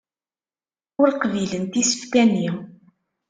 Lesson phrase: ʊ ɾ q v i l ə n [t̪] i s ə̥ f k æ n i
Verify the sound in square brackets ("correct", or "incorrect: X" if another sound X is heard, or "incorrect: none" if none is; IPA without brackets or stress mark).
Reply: correct